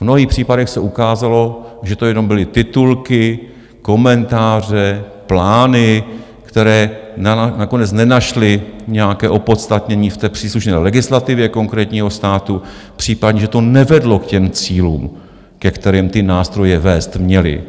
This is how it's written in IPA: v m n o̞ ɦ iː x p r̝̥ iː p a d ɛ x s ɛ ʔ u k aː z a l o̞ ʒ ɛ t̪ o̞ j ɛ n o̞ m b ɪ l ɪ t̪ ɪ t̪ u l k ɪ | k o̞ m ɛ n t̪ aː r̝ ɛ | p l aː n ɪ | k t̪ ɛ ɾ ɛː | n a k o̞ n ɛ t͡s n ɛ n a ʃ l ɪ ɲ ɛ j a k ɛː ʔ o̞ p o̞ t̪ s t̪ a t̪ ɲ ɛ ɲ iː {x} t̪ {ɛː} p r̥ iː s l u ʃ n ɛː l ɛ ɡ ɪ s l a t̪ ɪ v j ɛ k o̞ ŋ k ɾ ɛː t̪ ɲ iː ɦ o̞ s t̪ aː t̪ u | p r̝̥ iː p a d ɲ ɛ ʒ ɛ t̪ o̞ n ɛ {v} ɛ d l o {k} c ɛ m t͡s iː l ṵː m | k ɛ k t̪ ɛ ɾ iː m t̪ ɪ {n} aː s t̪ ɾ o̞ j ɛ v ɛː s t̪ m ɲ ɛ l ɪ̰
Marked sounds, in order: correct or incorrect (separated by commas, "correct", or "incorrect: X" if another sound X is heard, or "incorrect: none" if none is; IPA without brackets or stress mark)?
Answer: incorrect: f, correct, correct, correct, correct